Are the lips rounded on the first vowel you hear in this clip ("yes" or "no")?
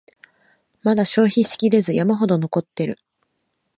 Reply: no